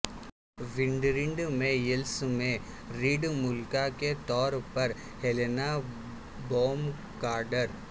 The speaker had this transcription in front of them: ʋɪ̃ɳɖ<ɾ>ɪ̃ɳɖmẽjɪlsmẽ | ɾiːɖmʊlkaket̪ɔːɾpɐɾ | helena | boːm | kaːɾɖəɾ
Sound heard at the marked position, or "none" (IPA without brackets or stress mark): ɾ